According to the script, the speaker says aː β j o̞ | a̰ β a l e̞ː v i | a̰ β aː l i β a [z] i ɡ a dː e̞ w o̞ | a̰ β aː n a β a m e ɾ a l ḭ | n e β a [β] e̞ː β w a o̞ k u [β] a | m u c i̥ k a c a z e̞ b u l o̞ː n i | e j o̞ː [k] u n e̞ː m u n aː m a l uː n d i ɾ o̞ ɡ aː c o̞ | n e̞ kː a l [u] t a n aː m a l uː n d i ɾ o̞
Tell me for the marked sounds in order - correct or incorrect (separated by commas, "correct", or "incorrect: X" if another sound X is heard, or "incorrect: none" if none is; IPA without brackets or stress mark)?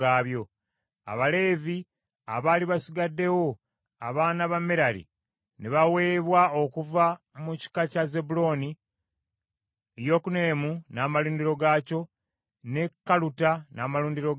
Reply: incorrect: s, incorrect: w, incorrect: v, correct, correct